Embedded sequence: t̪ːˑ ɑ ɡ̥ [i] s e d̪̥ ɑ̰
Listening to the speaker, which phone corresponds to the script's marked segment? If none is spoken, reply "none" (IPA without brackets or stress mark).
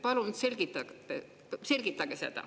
e